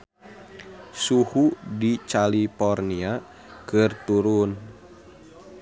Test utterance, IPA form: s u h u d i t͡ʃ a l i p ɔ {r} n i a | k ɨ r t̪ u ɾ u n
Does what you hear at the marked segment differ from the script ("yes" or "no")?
no